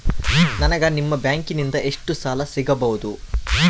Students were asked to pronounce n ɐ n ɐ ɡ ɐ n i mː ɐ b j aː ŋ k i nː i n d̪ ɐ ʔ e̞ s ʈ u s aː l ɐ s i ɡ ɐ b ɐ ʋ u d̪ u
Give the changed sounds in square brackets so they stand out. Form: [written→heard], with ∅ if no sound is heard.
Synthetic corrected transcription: n ɐ n ɐ ɡ ɐ n i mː ɐ b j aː ŋ k i [nː→n] i n d̪ ɐ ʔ e̞ [s→ʂ] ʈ u s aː l ɐ s i ɡ ɐ b ɐ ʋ u d̪ u